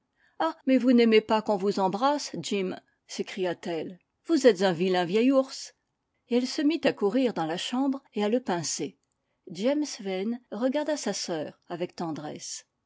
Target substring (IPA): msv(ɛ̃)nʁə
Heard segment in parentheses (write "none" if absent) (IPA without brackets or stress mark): ɛ